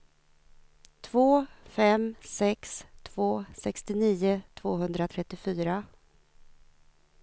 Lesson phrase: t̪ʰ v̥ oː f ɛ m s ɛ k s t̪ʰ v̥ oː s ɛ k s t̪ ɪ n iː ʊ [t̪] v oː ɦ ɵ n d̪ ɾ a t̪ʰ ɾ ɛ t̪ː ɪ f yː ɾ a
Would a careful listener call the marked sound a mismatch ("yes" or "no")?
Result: yes